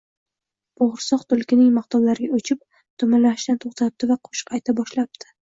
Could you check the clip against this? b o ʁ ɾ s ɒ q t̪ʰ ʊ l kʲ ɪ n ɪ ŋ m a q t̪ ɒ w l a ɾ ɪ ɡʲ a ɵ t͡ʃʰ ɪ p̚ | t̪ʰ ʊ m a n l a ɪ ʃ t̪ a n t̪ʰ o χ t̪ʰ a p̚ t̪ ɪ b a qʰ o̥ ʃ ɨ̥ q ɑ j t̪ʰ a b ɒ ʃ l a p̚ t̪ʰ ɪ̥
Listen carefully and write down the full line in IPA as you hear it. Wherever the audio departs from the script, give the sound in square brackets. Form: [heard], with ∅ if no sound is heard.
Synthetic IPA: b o ʁ ɾ s ɒ q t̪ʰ ʊ l kʲ ɪ n ɪ ŋ m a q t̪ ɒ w l a ɾ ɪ ɡʲ a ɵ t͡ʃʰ ɪ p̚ | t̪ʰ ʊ m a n l a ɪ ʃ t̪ a n t̪ʰ o χ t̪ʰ a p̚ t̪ ɪ [v] a qʰ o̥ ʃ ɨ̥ q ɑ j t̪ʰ a b ɒ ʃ l a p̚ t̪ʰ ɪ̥